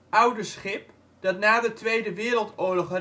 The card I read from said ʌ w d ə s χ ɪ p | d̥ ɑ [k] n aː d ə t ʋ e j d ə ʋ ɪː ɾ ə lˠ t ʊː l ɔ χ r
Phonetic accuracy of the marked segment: incorrect: t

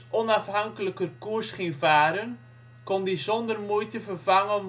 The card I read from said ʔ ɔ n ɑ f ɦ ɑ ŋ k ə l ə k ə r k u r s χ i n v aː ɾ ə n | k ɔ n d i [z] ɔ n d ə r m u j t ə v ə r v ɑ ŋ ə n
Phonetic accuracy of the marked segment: correct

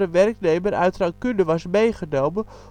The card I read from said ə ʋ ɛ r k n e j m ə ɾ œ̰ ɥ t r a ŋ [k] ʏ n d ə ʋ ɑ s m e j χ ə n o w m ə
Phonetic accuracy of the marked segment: correct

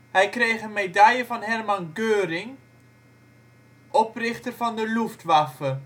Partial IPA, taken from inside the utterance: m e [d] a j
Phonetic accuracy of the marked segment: correct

